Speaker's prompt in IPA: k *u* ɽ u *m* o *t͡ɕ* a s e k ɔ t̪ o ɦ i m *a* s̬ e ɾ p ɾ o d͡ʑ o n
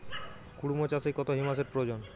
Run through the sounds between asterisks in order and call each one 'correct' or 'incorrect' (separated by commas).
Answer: correct, correct, correct, correct